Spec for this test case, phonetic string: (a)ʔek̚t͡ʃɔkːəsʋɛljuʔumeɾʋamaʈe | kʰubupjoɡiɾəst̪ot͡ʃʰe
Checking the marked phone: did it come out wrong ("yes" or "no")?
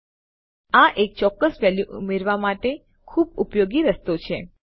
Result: no